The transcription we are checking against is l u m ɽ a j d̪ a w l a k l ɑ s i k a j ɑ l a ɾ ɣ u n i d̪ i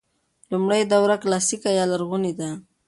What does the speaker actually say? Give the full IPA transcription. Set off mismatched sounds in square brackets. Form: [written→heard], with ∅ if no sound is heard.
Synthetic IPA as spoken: l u m ɽ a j d̪ a w [l→ɾ] a k l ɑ s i k a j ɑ l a ɾ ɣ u n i d̪ [i→a]